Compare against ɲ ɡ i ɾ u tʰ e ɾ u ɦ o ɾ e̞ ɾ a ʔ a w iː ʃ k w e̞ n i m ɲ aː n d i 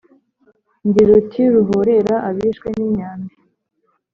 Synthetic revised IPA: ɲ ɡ i ɾ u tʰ i ɾ u ɦ o ɾ e̞ ɾ a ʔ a β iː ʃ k w e̞ n i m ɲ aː n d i